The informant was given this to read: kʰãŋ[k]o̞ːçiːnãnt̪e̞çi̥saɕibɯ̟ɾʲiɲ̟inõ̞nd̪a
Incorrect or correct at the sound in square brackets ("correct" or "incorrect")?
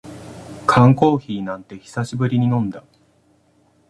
correct